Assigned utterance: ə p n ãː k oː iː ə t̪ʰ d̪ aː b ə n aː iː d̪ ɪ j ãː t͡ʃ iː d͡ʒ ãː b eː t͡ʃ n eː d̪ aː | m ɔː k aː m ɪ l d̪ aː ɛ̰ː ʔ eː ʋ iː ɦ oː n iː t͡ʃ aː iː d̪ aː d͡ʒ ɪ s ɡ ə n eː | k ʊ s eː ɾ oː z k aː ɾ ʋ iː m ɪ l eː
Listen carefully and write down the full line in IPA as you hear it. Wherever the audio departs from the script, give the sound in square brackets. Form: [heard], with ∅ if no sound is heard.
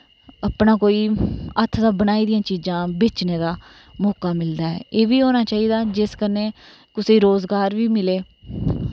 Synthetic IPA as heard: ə p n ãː k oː iː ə t̪ʰ d̪ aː b ə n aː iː d̪ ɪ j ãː t͡ʃ iː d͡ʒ ãː b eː t͡ʃ n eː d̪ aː | m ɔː k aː m ɪ l d̪ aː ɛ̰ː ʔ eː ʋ iː ɦ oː n [aː] t͡ʃ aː iː d̪ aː d͡ʒ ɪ s [k] ə n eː | k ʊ s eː ɾ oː z [ɡ] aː ɾ ʋ iː m ɪ l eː